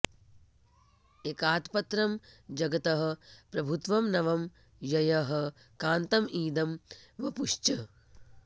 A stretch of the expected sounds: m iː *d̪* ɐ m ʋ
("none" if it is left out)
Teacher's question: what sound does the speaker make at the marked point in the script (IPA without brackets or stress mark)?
d̪